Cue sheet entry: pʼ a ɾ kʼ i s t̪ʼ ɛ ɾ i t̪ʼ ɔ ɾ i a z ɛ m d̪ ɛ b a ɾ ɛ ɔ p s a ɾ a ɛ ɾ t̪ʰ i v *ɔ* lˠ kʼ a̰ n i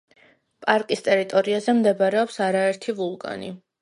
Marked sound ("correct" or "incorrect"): incorrect